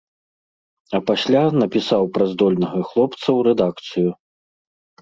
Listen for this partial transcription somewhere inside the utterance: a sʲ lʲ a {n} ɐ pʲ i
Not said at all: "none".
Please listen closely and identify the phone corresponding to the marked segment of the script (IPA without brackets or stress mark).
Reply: n